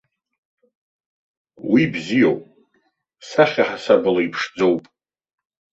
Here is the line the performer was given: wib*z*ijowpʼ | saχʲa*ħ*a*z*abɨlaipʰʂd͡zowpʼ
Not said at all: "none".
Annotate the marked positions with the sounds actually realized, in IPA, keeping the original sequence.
z, ħ, s

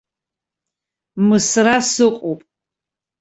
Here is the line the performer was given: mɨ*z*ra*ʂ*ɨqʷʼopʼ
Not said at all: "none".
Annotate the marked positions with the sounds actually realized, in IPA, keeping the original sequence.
s, s

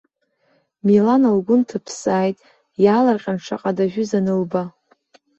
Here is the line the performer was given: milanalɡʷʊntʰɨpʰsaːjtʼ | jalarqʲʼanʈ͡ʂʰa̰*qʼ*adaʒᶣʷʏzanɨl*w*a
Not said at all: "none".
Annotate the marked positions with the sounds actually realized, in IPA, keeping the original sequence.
qʼ, b

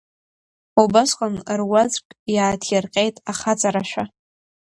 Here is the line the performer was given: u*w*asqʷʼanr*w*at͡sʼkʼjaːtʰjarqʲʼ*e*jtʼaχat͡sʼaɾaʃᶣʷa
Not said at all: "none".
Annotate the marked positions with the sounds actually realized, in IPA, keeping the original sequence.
b, w, e

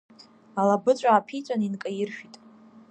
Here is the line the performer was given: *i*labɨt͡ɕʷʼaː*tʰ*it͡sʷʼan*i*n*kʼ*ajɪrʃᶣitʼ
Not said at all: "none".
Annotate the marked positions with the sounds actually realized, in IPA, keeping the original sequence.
a, pʰ, i, kʼ

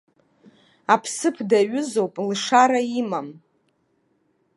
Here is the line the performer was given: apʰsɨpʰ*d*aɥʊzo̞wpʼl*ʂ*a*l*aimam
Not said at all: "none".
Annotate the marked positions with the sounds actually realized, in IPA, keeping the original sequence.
d, ʂ, ɾ

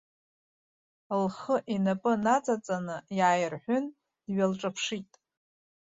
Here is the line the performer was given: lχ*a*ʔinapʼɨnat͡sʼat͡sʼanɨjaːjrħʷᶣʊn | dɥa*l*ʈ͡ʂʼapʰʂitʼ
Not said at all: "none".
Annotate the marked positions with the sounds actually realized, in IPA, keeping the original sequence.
ə, l

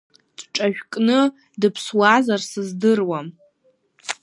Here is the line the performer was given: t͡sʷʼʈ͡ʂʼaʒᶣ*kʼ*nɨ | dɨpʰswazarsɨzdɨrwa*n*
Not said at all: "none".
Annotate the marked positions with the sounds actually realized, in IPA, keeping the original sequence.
kʼ, m

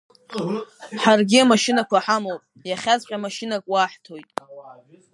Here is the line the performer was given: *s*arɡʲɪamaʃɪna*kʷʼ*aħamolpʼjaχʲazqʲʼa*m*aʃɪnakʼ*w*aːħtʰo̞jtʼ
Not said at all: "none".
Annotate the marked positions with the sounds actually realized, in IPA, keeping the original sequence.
ħ, kʷ, m, w

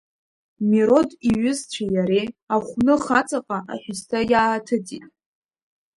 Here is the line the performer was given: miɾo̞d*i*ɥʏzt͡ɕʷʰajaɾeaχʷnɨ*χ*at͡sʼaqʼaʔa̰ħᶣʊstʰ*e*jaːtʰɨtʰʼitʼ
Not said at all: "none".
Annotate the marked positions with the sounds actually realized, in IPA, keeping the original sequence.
i, χ, a

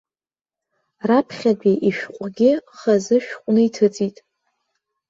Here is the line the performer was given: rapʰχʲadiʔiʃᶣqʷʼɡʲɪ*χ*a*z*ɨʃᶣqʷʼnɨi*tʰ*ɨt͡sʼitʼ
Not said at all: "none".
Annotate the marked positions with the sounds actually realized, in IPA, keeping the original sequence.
χ, z, tʰ

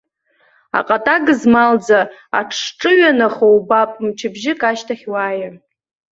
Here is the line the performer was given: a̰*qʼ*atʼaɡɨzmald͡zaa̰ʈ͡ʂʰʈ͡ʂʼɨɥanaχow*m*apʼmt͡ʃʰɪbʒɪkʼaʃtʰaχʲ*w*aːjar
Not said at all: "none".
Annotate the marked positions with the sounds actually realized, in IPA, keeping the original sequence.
qʼ, b, w

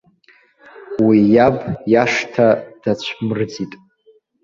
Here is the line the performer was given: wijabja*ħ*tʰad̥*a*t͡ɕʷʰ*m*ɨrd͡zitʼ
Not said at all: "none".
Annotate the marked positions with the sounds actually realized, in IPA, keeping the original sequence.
ʂ, a, m

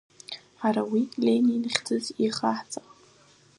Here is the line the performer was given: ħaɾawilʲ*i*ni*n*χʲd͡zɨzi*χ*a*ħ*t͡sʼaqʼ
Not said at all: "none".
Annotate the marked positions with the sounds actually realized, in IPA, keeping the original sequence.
e, n, χ, ħ

